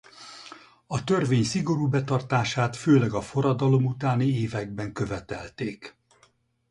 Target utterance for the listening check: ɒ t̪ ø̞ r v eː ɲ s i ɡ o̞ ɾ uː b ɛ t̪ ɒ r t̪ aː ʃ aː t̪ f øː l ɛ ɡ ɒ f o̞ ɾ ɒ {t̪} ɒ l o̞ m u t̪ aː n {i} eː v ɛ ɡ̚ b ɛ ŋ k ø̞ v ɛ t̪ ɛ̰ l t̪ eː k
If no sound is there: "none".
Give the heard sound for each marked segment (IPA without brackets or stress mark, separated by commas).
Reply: d̪, i